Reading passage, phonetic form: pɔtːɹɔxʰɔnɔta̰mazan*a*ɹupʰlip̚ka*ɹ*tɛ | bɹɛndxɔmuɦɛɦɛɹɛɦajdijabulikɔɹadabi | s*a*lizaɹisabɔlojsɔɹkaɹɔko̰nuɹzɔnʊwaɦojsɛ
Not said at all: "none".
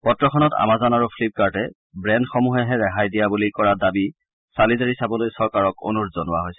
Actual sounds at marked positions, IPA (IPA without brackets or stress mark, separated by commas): a, ɹ, a